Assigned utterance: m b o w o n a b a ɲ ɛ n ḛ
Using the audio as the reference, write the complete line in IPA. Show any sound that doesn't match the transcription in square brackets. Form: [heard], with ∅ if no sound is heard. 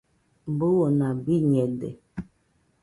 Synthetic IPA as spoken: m b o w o n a b [i] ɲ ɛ [d] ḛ